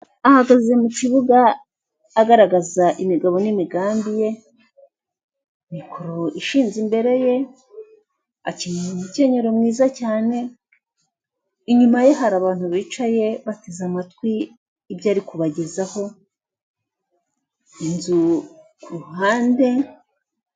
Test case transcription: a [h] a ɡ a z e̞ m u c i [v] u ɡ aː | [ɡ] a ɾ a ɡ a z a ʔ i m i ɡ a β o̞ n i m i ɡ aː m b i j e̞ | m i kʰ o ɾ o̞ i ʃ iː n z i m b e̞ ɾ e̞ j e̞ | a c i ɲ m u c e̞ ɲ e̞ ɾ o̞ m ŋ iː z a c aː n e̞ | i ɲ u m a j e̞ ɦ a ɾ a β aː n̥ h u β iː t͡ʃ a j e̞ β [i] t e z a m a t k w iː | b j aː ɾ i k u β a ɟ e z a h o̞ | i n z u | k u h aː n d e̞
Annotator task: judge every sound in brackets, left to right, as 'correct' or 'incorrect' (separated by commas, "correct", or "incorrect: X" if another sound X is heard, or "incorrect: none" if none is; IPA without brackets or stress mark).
correct, incorrect: β, correct, incorrect: a